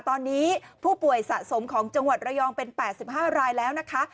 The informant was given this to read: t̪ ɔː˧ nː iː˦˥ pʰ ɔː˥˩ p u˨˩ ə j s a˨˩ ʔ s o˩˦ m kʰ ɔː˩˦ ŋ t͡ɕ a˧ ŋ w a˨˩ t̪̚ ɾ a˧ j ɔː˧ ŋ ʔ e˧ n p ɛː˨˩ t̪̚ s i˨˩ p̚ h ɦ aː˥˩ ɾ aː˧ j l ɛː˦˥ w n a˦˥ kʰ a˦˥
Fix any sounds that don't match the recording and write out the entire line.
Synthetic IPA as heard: t̪ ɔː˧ nː iː˦˥ pʰ uː˥˩ p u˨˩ ə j s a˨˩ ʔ s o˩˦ m kʰ ɔː˩˦ ŋ t͡ɕ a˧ ŋ w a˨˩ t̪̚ ɾ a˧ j ɔː˧ ŋ p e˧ n p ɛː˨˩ t̪̚ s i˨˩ p̚ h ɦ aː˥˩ ɾ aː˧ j l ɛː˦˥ w n a˦˥ kʰ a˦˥